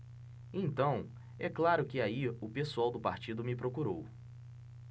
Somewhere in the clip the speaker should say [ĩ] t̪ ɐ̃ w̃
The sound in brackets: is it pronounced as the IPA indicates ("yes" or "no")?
no